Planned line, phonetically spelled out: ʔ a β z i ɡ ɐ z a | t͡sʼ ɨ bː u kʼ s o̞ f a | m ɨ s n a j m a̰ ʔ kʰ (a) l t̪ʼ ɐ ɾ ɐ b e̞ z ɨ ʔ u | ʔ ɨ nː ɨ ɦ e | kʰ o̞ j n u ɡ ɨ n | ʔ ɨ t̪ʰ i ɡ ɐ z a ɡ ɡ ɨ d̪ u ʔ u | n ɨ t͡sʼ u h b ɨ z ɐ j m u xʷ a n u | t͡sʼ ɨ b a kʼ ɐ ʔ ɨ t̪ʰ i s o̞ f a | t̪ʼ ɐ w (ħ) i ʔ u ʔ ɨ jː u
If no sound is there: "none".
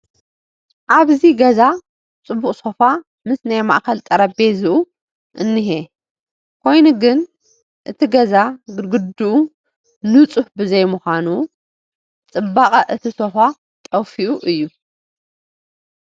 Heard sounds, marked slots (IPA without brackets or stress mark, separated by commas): ɐ, f